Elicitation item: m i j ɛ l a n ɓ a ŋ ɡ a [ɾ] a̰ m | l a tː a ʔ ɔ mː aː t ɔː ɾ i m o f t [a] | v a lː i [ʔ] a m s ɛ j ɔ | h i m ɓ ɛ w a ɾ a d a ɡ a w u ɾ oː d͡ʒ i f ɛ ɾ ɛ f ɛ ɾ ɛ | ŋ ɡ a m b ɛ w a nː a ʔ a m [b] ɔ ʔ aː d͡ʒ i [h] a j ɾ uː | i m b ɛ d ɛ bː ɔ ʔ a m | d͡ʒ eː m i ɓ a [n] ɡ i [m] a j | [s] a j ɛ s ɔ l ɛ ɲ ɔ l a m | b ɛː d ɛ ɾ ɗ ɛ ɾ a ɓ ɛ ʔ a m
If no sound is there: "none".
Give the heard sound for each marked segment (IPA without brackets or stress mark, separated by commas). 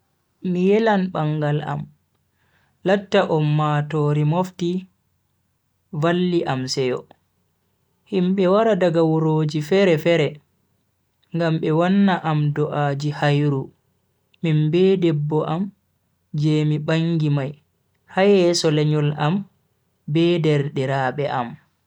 l, i, ʔ, d, h, ŋ, m, h